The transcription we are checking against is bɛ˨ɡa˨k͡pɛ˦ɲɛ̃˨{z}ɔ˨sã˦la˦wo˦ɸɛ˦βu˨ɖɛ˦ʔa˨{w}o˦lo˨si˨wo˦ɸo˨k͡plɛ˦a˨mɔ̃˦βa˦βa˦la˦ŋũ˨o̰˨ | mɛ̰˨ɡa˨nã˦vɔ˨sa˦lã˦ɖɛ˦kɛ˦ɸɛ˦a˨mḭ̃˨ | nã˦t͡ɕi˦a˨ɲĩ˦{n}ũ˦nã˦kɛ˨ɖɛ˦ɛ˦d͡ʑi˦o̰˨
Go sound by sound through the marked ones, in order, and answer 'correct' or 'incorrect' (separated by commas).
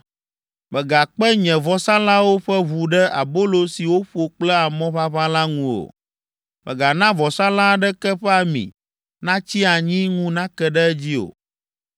incorrect, incorrect, incorrect